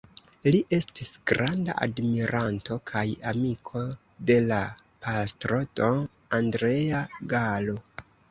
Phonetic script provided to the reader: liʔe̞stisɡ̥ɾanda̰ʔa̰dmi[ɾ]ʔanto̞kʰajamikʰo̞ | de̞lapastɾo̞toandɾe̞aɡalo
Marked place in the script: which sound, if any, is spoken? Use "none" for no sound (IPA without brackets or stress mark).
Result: ɾ